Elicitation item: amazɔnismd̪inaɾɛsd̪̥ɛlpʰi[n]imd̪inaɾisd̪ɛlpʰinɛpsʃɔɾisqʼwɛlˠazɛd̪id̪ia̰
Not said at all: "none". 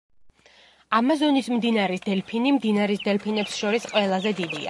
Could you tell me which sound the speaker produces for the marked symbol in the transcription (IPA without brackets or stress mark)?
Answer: n